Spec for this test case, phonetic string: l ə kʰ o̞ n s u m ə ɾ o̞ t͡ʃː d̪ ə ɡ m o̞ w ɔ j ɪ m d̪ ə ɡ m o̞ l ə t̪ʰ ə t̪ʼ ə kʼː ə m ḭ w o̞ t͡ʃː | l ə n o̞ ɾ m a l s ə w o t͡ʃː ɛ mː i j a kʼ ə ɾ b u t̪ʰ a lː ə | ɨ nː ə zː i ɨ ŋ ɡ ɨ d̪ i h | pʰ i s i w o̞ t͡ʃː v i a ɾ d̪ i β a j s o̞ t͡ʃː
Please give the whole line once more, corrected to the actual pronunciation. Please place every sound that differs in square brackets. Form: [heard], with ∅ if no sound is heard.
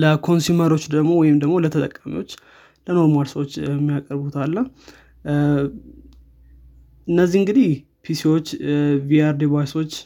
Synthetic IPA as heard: l ə kʰ o̞ n s u m ə ɾ o̞ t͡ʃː d̪ ə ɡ m o̞ w ɔ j ɪ m d̪ ə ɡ m o̞ l ə t̪ʰ ə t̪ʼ ə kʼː [a] m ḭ w o̞ t͡ʃː | l ə n o̞ ɾ m a l s ə w o t͡ʃː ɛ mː i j a kʼ ə ɾ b u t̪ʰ a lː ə | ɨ nː ə zː i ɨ ŋ ɡ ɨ d̪ i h | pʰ i s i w o̞ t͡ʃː v i a ɾ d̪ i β a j s o̞ t͡ʃː